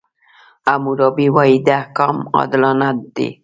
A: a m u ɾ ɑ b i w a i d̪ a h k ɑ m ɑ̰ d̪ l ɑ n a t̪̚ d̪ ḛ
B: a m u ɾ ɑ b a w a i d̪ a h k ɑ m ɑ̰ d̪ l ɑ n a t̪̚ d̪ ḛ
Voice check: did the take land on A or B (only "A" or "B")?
A